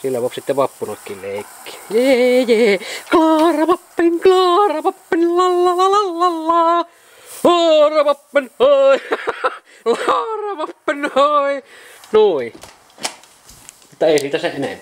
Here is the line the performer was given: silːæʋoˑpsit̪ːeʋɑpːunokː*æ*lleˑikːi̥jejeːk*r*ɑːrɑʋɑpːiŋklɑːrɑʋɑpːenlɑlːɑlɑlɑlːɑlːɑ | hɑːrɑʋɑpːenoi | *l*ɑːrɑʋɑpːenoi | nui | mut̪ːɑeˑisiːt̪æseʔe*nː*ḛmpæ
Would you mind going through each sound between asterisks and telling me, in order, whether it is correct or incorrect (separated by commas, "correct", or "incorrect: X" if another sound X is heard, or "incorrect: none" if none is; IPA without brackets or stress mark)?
incorrect: i, incorrect: l, correct, incorrect: n